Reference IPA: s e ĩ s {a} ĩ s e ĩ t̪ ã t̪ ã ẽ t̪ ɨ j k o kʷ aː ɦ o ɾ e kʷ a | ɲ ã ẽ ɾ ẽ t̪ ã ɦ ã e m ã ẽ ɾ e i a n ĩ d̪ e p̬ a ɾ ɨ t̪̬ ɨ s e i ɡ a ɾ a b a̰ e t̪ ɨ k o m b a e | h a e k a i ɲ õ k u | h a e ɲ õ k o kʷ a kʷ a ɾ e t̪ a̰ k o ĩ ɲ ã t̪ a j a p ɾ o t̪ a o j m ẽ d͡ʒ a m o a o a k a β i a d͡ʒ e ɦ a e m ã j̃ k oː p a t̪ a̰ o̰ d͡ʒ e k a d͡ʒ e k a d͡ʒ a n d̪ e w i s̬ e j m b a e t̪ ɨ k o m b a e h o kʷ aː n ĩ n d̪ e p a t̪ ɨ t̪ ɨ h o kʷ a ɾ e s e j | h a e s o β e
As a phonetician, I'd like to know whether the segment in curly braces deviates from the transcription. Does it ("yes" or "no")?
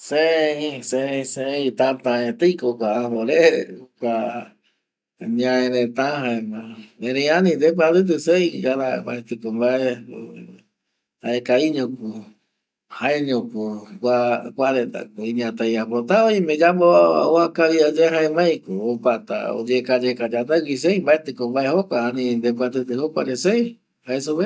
yes